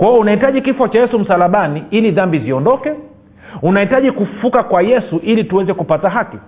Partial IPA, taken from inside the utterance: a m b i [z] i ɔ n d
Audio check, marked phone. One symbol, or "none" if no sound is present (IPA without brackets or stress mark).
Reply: z